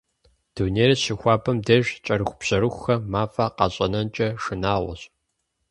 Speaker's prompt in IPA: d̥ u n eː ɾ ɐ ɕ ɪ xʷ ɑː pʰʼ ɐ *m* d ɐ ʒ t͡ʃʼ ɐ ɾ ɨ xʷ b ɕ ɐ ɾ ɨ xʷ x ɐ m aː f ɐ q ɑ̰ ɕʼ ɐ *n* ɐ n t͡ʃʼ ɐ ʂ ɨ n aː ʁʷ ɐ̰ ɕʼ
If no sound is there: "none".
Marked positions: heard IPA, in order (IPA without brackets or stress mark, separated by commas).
m, n